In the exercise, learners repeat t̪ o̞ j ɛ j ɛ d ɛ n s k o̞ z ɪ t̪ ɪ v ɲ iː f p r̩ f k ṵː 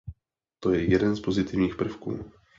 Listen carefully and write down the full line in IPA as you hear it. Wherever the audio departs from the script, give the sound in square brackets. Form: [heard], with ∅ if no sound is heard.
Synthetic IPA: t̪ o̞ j ɛ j ɛ d ɛ n s [p] o̞ z ɪ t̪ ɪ v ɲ iː [x] p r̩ f k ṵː